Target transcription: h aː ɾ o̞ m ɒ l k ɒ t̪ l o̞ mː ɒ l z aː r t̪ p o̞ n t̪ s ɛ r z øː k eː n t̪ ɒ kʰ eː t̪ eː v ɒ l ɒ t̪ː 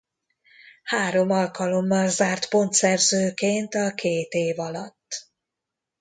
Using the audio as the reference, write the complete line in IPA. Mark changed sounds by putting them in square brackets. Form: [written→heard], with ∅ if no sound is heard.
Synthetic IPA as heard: h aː ɾ o̞ m ɒ l k ɒ [t̪→∅] l o̞ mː ɒ l z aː r t̪ p o̞ n t̪ s ɛ r z øː k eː n t̪ ɒ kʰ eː t̪ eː v ɒ l ɒ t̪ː